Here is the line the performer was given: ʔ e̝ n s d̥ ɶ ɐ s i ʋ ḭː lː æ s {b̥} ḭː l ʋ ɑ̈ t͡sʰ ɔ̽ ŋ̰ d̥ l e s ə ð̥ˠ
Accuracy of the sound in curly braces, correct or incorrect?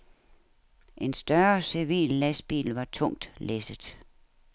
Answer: correct